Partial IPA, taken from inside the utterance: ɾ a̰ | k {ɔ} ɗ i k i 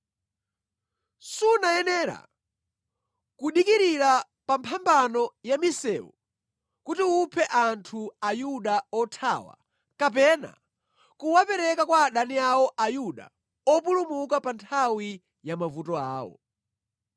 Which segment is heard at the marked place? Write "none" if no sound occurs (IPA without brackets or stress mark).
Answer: u